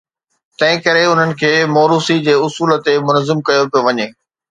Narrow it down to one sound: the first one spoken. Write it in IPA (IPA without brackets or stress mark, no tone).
t̪